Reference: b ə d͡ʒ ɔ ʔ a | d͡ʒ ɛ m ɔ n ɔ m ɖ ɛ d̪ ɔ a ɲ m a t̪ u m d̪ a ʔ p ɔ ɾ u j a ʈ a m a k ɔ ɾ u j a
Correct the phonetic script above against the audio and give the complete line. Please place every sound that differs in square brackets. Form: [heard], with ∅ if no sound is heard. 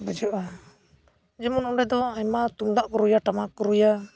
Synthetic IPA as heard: b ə d͡ʒ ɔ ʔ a | d͡ʒ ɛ m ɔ n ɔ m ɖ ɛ d̪ ɔ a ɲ m a t̪ u m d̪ a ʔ [k] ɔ ɾ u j a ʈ a m a k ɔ ɾ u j a